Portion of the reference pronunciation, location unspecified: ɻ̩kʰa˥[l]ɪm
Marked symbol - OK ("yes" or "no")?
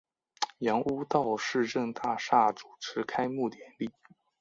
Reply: no